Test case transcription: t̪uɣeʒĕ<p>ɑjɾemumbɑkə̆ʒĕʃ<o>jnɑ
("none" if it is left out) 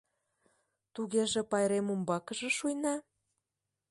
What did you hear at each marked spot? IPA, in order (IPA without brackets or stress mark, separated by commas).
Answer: p, u